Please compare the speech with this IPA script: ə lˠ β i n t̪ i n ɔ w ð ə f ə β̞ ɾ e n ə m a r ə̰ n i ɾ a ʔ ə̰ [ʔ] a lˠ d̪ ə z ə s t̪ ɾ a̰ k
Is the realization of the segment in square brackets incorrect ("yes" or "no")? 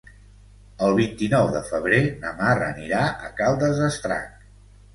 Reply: yes